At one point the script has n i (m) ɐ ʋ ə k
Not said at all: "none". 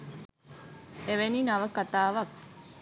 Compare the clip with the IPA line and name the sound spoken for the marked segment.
n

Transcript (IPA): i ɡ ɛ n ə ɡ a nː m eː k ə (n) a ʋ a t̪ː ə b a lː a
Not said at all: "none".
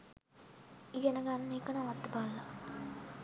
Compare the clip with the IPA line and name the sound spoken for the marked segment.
n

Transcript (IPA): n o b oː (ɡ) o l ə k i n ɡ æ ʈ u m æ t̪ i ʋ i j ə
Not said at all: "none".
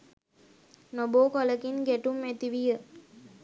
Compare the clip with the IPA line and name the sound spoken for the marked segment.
k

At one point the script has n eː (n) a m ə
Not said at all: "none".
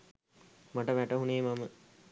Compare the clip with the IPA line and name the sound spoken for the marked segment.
m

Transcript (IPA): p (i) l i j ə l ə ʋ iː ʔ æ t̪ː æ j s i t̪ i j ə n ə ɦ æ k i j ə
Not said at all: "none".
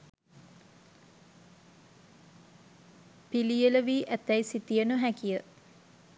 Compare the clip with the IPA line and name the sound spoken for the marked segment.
i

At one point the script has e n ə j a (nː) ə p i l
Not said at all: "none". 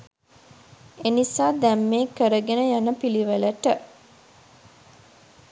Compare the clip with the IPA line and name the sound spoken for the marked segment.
n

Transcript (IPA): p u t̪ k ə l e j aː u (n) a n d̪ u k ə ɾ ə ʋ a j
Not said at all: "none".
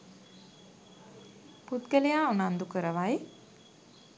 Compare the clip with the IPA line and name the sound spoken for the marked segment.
n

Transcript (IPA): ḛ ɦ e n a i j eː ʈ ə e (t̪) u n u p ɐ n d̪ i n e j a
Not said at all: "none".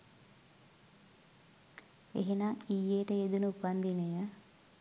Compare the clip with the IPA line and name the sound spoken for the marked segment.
d̪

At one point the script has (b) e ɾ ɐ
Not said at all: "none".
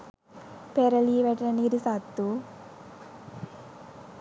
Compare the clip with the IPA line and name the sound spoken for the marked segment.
p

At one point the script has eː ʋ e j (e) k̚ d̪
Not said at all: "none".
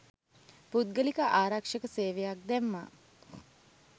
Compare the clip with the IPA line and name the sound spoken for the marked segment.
a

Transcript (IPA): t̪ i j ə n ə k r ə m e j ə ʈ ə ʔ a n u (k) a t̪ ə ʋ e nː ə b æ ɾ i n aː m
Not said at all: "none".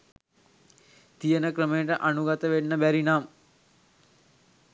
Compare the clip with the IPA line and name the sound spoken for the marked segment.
ɡ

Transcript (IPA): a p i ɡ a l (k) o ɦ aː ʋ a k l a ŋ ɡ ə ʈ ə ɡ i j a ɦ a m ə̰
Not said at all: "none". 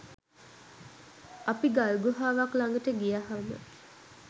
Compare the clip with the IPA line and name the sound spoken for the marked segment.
ɡ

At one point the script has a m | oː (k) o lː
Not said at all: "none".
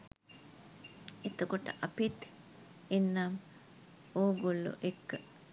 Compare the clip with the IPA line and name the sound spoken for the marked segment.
ɡ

